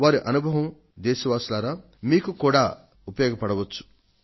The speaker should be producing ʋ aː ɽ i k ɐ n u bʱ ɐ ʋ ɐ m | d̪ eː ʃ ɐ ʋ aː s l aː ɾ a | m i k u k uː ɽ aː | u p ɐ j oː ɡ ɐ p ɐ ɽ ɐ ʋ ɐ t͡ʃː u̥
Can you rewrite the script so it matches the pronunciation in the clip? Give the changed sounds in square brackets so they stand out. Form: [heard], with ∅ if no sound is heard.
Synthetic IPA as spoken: ʋ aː [ɾ] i [ʔ] ɐ n u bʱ ɐ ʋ ɐ m | d̪ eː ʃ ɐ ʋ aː s l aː ɾ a | m [iː] k u k uː ɽ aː | u p ɐ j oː ɡ ɐ p ɐ ɽ ɐ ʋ ɐ t͡ʃː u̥